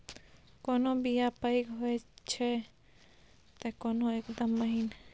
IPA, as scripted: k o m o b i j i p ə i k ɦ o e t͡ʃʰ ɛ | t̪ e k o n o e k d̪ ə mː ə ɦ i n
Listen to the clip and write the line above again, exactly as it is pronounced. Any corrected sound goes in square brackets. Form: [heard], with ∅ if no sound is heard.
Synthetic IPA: k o [n] o b i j [a] p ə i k ɦ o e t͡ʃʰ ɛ | t̪ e k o n o e k d̪ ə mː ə ɦ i n